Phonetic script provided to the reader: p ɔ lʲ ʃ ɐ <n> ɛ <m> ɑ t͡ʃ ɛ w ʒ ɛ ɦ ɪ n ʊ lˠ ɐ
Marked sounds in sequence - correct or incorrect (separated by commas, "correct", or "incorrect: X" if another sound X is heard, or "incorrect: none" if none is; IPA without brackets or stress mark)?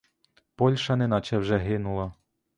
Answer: correct, incorrect: n